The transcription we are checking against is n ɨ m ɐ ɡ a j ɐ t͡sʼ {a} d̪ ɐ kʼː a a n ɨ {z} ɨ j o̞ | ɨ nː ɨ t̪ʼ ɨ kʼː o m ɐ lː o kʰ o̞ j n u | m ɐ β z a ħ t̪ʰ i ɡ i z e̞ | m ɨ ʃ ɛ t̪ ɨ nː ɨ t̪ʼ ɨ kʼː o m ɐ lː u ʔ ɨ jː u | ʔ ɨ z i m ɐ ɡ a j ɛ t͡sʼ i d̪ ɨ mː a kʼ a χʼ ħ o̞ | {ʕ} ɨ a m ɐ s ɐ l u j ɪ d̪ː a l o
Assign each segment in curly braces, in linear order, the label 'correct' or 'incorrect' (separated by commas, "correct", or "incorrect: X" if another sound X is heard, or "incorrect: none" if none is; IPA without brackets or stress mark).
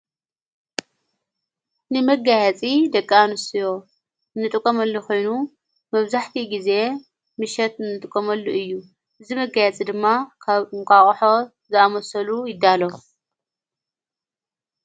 incorrect: i, incorrect: s, incorrect: z